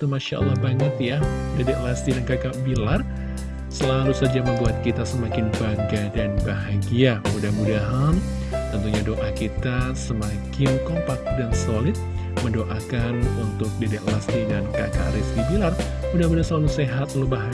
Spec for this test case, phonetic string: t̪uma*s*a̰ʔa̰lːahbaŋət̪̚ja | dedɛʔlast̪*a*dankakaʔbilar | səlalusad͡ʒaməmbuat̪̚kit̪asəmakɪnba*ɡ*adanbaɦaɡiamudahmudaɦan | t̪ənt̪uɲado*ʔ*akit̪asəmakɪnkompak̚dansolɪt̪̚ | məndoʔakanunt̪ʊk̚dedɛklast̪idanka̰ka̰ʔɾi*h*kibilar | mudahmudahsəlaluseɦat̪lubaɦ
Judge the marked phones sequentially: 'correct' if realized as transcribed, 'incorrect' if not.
incorrect, incorrect, correct, correct, incorrect

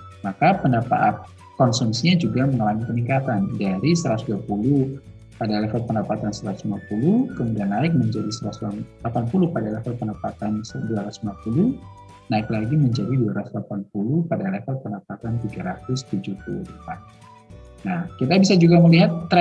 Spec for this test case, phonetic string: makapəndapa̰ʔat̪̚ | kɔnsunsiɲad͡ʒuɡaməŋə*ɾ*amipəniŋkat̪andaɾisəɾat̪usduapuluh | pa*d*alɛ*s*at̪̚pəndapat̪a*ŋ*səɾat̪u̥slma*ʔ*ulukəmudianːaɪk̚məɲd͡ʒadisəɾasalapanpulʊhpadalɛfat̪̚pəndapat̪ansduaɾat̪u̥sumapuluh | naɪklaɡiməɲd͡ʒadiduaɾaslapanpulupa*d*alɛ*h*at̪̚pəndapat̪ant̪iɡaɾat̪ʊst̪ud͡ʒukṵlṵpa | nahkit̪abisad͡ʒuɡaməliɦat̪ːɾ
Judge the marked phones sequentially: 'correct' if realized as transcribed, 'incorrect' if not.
incorrect, correct, incorrect, incorrect, incorrect, correct, incorrect

